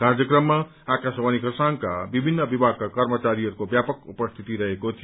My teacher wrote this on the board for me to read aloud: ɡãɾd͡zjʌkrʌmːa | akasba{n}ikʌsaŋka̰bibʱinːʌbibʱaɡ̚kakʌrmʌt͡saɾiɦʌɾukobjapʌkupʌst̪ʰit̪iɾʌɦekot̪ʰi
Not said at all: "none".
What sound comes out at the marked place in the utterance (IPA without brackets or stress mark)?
n